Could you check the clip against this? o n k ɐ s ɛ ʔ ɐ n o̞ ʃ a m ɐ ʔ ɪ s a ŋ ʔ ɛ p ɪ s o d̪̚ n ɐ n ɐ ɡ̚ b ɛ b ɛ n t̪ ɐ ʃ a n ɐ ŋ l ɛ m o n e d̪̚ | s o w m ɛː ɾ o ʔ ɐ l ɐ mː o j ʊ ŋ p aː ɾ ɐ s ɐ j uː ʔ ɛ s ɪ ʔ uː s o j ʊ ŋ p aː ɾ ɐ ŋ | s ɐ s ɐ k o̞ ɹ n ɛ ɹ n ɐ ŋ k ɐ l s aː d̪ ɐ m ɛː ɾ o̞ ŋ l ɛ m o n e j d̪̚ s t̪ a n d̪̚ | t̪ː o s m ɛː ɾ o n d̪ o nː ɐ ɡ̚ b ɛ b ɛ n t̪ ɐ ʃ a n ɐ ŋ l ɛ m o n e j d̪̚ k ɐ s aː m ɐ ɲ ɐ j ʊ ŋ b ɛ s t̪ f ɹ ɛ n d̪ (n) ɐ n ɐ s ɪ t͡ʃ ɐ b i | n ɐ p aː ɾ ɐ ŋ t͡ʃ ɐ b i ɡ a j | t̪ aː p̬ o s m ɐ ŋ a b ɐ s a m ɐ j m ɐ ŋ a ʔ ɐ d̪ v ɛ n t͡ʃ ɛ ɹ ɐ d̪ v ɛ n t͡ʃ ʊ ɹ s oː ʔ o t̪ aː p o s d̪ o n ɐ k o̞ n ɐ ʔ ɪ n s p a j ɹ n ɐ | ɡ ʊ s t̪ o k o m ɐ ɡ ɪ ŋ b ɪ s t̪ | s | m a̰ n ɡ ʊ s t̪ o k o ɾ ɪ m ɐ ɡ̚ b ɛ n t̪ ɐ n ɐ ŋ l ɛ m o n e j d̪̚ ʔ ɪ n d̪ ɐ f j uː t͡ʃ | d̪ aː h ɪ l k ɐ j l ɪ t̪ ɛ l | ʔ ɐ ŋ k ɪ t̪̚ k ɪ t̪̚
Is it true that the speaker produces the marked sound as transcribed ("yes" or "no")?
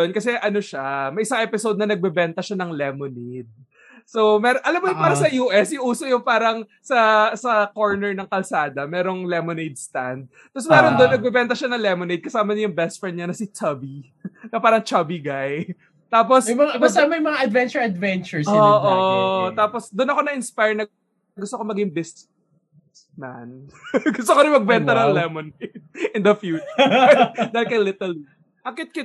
no